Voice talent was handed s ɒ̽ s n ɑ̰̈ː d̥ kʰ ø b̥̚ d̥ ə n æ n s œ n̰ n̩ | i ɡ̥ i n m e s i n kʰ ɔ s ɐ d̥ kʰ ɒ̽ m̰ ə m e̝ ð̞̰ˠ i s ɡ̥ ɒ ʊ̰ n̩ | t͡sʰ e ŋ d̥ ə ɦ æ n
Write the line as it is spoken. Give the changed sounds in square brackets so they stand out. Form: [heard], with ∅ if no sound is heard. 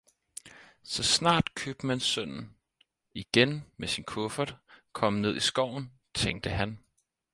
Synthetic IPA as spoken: s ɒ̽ s n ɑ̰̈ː d̥ kʰ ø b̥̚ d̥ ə [m] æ n s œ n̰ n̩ | i ɡ̥ [e] n m e s i n kʰ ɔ [f] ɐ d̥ kʰ ɒ̽ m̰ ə [n] e̝ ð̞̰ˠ i s ɡ̥ ɒ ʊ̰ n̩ | t͡sʰ e ŋ d̥ ə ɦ æ n